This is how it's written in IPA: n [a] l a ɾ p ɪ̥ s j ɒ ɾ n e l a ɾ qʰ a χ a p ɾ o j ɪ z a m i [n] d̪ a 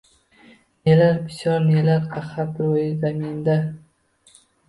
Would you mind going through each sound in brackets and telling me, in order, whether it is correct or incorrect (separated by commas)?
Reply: incorrect, correct